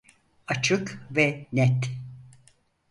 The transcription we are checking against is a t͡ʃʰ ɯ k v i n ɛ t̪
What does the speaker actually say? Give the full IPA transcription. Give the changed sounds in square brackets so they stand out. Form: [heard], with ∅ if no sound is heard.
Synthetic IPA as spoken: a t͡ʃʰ ɯ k v [ɛ] n ɛ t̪